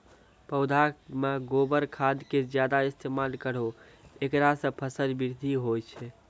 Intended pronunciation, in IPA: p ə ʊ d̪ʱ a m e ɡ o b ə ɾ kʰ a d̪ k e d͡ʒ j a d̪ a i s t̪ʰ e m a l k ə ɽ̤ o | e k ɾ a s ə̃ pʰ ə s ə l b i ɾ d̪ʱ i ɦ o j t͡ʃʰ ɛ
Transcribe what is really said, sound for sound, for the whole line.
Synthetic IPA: p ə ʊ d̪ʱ a m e ɡ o b ə ɾ kʰ a d̪ k e d͡ʒ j a d̪ a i s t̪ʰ e m a l k ə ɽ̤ o | e k ɾ a s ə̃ pʰ ə s ə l b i ɾ d̪ʱ i ɦ o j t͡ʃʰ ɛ